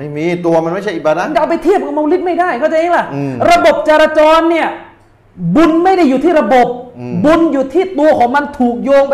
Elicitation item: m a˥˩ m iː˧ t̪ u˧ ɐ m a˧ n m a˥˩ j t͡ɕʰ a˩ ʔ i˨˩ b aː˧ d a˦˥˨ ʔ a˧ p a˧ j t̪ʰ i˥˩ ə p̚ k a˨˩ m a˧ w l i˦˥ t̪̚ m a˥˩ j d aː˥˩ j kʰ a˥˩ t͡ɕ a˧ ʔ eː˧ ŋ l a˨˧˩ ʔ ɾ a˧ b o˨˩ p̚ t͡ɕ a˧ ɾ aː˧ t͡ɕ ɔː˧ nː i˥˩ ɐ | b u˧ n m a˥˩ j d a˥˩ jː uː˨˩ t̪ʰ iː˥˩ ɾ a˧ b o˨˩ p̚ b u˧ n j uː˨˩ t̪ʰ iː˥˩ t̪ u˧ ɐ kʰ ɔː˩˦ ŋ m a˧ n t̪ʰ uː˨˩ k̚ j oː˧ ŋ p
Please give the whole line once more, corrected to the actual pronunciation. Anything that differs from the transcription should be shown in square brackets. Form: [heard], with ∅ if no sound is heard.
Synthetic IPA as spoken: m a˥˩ m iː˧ t̪ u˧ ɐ m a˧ n m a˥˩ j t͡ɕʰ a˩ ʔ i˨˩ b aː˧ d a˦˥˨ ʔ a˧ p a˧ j t̪ʰ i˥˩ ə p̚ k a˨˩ m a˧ w l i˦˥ t̪̚ m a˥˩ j d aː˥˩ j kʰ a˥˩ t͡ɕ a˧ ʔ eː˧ ŋ l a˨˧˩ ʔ ɾ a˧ b o˨˩ p̚ t͡ɕ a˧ ɾ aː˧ t͡ɕ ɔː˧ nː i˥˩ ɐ | b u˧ n m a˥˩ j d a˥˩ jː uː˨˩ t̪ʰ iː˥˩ ɾ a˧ b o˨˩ p̚ b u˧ n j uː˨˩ t̪ʰ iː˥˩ t̪ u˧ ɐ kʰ ɔː˩˦ ŋ m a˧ n t̪ʰ uː˨˩ k̚ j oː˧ ŋ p